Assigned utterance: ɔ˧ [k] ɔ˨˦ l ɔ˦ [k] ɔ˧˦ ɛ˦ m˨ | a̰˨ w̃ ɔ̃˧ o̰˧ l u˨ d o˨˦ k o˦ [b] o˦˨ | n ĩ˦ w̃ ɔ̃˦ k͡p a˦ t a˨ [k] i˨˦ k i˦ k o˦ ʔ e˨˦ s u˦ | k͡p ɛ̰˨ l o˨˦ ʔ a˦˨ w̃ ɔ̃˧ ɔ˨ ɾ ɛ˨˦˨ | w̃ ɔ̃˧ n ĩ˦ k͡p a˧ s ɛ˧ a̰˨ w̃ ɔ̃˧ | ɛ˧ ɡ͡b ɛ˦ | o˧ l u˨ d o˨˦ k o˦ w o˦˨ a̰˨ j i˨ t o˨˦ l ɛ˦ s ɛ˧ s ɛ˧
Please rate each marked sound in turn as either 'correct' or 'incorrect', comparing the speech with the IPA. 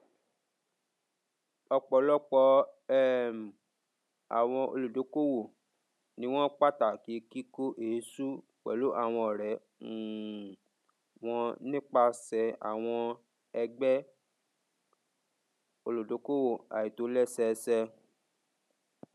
incorrect: k͡p, incorrect: k͡p, incorrect: w, correct

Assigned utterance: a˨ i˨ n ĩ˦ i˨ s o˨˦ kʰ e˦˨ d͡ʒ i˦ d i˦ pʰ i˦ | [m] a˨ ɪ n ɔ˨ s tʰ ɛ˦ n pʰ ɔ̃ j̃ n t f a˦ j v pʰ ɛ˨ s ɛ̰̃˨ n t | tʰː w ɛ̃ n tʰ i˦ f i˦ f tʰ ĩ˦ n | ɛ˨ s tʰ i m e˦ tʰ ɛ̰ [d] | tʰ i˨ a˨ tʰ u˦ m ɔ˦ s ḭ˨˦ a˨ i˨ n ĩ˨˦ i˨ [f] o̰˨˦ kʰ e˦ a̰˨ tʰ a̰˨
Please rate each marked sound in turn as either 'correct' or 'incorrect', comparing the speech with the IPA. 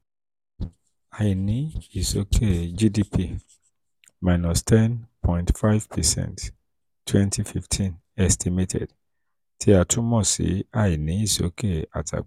correct, correct, incorrect: s

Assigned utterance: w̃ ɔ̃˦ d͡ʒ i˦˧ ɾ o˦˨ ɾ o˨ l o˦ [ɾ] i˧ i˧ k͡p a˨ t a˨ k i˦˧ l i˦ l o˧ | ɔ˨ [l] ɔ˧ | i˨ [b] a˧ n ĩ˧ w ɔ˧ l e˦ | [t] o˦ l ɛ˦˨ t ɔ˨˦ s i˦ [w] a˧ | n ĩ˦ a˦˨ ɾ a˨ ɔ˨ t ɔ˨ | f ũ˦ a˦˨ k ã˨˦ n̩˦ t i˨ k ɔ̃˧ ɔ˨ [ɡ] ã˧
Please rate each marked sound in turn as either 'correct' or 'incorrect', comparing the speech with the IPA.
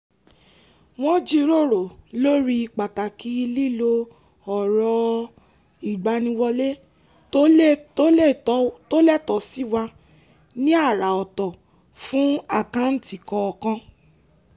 correct, incorrect: ɾ, incorrect: ɡ͡b, correct, correct, incorrect: k

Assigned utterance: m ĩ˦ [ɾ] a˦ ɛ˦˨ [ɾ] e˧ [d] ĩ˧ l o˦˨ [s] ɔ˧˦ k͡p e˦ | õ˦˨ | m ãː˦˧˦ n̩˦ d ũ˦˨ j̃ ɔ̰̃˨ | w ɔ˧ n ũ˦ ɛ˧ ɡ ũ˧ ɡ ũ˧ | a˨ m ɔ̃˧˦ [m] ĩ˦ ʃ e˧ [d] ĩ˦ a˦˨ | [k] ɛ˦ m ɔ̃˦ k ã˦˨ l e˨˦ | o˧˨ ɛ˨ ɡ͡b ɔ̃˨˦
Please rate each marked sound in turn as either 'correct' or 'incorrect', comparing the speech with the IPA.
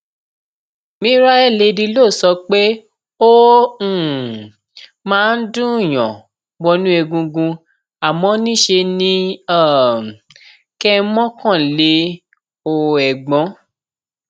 correct, incorrect: l, correct, correct, incorrect: n, incorrect: n, correct

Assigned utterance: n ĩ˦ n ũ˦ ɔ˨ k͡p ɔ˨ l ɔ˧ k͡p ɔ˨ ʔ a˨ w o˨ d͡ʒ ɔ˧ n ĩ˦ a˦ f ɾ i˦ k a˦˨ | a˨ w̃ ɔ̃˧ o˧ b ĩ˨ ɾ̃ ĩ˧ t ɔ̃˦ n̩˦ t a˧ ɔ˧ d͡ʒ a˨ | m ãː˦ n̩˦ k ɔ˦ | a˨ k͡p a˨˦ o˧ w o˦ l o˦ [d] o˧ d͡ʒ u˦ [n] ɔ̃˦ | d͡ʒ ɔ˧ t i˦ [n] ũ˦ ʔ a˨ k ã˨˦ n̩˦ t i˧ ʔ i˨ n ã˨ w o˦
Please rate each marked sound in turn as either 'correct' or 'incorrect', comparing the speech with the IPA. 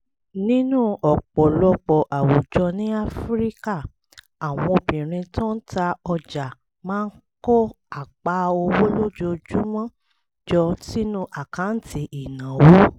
incorrect: d͡ʒ, incorrect: m, correct

